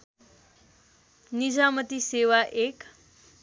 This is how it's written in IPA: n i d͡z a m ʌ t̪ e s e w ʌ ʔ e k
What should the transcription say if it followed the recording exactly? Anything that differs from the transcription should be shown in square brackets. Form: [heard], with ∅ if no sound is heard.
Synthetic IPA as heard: n i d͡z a m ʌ t̪ [i] s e w [a] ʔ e k